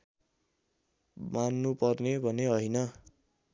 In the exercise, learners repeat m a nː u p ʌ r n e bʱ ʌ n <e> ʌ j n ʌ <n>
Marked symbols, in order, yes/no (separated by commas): yes, no